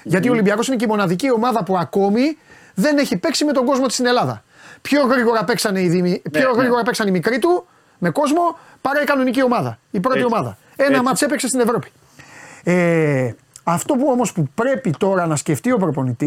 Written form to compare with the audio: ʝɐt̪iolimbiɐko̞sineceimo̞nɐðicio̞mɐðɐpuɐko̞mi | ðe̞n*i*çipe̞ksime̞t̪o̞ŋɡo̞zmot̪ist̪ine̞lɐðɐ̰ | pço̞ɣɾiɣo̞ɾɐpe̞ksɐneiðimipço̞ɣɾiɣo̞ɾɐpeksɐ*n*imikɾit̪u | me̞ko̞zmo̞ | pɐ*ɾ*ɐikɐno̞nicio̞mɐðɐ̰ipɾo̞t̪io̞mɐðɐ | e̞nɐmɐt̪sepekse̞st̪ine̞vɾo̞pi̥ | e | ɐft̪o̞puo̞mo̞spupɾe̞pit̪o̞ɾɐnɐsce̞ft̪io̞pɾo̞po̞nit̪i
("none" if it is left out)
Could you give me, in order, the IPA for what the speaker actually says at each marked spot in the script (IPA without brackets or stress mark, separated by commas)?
e, n, ɾ